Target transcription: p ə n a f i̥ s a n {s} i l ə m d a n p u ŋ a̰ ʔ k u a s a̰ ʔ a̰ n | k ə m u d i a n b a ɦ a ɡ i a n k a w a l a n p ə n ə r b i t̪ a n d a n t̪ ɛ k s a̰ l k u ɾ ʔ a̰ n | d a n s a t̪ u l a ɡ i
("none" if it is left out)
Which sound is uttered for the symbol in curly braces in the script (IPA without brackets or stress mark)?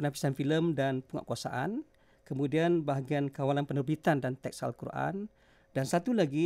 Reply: f